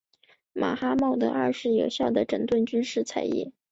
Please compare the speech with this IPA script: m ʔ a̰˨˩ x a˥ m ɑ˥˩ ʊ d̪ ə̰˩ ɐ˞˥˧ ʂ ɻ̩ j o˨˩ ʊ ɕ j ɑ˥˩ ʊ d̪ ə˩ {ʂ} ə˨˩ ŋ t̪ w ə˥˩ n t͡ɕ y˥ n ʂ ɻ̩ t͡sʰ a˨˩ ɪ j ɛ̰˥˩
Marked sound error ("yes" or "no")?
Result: yes